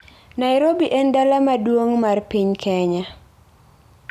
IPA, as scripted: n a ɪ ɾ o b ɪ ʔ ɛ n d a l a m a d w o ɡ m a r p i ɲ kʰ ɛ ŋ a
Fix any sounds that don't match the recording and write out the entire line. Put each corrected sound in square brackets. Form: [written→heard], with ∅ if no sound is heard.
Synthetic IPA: n a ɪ ɾ o b [ɪ→i] ʔ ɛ n d a l a m a d w o [ɡ→ŋ] m a r p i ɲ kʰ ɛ [ŋ→ɲ] a